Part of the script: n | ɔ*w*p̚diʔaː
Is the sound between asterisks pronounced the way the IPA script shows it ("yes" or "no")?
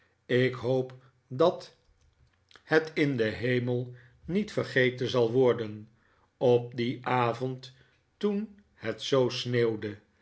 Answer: no